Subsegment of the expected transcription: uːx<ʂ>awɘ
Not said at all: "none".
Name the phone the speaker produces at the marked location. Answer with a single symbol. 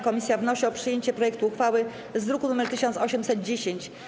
f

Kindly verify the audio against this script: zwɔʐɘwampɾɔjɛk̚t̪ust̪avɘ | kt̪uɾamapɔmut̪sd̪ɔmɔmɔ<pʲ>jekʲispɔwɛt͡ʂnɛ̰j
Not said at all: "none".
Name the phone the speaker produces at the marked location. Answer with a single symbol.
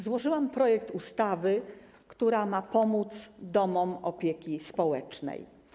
pʲ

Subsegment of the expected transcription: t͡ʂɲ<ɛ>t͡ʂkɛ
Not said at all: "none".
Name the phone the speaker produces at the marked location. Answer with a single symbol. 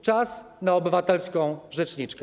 i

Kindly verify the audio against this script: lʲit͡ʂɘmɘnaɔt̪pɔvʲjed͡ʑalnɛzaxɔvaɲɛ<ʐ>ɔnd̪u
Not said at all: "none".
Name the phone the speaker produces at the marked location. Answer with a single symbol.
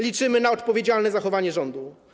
ʐ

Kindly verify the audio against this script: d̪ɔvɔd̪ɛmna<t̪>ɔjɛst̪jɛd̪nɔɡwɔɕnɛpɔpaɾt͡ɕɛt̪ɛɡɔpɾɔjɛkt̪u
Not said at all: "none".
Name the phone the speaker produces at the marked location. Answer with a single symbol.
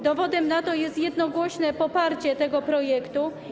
t̪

